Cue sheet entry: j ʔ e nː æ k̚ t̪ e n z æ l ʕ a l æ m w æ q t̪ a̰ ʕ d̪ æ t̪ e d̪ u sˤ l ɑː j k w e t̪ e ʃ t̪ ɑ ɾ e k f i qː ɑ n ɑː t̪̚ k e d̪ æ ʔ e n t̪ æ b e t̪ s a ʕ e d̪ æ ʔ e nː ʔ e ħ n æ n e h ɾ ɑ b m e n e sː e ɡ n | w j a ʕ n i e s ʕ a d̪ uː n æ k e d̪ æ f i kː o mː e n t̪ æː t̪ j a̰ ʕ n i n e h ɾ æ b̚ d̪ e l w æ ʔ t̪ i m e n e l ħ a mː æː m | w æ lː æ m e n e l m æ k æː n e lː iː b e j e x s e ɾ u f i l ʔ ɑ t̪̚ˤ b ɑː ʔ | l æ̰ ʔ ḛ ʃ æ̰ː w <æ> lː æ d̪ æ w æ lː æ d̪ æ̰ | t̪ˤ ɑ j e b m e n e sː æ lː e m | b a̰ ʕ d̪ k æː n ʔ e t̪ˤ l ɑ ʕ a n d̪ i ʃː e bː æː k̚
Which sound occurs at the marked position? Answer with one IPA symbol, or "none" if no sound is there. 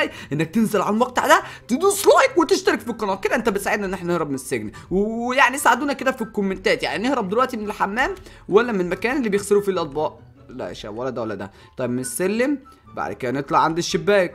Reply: æ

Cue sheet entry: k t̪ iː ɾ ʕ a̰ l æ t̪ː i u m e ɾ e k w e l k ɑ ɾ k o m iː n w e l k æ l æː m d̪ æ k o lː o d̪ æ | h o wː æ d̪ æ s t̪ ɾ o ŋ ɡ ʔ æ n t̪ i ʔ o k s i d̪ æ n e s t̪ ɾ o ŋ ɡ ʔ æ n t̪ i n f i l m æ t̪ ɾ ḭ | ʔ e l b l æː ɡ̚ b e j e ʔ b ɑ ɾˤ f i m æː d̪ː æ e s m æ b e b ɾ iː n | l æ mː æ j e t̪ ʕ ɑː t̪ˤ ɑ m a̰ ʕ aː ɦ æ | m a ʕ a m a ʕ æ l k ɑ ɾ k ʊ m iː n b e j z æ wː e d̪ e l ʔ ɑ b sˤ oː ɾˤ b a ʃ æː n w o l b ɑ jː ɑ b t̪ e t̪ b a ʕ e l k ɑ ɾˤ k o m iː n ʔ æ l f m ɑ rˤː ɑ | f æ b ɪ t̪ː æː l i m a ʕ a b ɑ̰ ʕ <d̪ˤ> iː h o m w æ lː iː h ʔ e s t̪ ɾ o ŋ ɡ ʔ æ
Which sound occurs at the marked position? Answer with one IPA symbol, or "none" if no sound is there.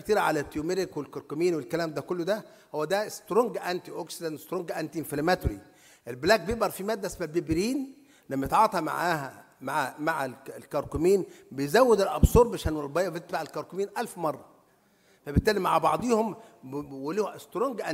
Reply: d̪ˤ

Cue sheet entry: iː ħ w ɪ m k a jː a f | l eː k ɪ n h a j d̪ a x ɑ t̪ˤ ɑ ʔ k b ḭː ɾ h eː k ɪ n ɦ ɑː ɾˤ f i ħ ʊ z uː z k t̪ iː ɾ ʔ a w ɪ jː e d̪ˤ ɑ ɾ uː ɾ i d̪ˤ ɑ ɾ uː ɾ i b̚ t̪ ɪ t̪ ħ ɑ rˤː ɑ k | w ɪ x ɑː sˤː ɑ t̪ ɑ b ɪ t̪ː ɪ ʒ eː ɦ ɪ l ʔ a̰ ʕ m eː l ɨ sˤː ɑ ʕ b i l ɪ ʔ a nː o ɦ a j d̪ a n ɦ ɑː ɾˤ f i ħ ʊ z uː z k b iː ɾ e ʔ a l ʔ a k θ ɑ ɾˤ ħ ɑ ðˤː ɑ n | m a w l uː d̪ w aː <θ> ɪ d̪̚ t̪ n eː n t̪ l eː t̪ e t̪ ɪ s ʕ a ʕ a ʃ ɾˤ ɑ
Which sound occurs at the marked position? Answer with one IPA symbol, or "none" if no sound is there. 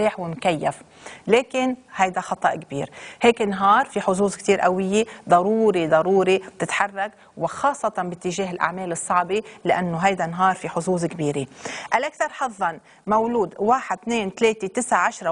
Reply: ħ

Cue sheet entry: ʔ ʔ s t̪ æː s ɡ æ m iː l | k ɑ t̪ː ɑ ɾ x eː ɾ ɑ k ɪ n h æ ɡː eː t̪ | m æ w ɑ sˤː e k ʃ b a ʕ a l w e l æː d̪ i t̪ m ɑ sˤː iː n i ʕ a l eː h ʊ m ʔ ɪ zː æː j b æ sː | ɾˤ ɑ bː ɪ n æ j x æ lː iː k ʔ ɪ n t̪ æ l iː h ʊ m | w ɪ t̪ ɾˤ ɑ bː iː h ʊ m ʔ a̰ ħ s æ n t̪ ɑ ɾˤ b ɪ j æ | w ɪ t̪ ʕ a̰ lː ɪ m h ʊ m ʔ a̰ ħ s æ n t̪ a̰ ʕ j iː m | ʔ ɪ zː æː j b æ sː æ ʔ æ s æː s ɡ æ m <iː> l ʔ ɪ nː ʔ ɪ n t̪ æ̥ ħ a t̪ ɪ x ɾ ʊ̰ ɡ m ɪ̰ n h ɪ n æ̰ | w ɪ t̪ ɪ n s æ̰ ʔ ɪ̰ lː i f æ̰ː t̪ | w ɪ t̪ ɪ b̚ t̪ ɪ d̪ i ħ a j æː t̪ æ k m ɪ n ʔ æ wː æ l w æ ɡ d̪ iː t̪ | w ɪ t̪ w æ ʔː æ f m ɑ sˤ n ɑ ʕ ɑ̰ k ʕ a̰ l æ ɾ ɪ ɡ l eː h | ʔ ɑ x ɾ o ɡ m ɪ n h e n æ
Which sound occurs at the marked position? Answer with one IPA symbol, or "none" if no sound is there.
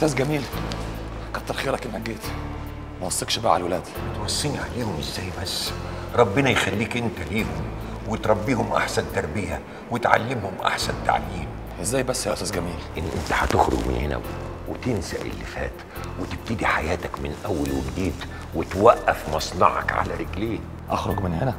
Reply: iː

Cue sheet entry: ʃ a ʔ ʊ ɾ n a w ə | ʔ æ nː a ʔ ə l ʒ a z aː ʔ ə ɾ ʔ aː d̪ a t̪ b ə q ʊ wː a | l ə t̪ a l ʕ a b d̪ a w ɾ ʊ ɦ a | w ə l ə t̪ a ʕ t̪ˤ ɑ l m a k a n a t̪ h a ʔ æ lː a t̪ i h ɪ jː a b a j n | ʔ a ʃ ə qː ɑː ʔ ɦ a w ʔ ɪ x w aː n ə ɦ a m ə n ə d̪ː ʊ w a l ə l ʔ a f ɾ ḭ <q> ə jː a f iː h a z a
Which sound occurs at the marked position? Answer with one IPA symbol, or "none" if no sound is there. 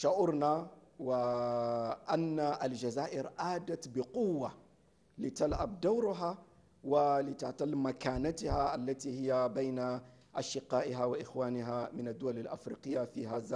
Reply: q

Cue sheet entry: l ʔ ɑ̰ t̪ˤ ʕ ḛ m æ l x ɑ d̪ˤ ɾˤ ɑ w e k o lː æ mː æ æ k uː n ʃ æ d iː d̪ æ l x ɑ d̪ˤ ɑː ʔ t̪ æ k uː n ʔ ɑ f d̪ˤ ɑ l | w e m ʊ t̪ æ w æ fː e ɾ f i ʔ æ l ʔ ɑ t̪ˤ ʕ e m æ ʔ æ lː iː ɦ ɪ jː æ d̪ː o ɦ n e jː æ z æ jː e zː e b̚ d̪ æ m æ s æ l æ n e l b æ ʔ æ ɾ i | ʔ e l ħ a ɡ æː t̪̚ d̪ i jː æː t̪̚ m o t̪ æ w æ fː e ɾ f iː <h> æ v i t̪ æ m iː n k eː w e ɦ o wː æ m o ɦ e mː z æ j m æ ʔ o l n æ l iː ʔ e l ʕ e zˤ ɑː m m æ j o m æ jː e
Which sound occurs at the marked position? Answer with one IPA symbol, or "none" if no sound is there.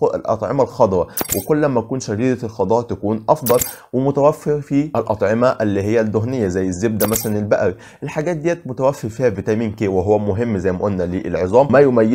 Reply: h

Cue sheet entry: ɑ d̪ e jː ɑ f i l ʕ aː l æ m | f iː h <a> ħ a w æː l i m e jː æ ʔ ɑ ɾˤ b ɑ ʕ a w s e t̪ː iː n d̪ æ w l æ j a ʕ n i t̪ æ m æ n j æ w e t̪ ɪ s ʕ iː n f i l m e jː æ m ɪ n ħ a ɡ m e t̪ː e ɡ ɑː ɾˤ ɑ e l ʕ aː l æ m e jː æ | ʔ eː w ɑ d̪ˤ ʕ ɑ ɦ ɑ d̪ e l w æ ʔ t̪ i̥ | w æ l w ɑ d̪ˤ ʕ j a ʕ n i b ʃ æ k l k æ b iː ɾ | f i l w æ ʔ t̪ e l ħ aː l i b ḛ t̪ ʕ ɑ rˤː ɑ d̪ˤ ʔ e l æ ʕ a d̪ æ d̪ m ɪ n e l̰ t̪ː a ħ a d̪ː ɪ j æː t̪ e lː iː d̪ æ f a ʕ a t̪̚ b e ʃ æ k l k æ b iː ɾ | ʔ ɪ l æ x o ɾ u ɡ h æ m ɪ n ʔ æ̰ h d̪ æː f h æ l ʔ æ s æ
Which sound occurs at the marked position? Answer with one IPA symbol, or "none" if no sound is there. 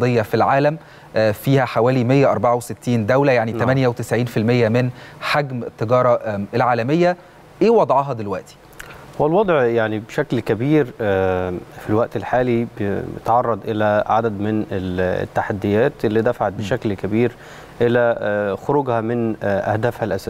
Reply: æ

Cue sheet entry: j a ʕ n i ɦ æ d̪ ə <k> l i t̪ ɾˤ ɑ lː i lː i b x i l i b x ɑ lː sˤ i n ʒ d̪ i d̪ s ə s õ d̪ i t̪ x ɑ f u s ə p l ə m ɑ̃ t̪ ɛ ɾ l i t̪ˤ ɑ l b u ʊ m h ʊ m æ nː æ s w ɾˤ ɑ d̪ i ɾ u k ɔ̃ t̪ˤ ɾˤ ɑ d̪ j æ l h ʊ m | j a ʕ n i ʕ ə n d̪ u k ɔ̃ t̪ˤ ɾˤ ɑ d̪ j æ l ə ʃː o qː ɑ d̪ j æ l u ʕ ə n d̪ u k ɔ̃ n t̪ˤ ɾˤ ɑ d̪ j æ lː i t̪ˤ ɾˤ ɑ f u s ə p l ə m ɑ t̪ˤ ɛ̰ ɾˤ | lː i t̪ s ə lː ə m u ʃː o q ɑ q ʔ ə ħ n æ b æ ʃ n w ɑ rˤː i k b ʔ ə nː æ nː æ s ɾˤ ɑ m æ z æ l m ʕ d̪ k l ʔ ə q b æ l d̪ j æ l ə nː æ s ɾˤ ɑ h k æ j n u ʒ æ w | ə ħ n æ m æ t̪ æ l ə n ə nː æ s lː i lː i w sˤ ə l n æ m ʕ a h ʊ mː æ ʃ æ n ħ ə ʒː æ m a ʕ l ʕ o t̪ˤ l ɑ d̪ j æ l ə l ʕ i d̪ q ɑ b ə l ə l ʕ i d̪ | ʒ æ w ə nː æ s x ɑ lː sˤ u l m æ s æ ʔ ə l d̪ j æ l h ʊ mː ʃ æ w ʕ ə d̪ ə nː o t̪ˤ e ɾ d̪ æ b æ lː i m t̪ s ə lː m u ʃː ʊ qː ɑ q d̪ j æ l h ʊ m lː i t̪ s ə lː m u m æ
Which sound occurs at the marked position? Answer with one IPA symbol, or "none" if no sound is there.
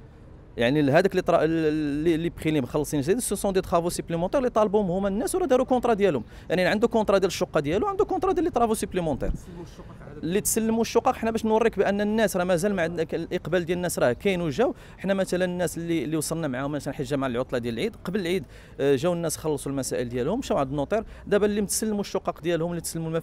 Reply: k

